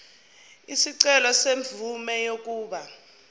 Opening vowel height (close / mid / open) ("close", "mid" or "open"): close